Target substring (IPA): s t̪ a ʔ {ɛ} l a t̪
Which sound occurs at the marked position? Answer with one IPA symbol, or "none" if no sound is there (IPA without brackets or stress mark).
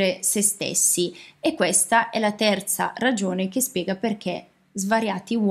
ɛ